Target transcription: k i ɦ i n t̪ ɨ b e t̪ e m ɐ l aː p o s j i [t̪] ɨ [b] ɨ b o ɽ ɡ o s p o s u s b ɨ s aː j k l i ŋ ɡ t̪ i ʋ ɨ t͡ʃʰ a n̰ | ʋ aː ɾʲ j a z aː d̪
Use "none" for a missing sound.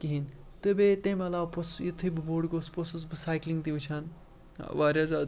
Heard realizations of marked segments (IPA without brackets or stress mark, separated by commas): t̪ʰ, b